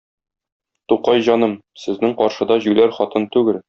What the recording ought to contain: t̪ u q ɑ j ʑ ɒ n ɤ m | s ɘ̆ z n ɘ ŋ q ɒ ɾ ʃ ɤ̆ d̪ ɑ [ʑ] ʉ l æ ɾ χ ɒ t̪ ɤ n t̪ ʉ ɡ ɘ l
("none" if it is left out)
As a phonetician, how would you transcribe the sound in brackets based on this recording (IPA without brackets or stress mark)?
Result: ʑ